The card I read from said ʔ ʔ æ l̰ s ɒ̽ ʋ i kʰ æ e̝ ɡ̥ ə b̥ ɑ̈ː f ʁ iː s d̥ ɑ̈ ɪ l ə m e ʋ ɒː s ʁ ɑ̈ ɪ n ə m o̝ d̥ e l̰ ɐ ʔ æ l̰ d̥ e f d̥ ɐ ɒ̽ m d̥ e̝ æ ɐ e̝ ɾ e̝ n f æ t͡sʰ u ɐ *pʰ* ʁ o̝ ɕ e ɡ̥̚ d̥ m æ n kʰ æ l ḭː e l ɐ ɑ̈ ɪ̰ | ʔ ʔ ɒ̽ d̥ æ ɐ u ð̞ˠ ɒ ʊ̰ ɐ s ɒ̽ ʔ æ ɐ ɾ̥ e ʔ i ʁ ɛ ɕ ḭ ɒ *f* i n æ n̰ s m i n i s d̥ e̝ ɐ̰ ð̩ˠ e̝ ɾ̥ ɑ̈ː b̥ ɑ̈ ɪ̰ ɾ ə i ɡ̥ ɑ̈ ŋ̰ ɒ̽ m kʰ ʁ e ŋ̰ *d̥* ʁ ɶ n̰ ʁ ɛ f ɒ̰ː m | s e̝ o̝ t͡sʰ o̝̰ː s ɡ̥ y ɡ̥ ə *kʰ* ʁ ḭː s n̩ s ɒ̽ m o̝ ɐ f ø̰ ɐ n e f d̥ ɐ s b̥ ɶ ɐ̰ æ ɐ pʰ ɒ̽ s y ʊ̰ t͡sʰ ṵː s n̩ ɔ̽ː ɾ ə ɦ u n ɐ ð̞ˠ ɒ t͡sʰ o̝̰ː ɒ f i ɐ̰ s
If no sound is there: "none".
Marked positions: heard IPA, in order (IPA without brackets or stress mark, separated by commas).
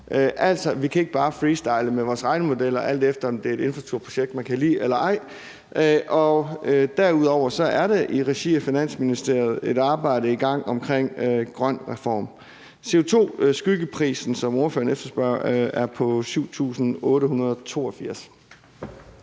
pʰ, f, ɡ̥, pʰ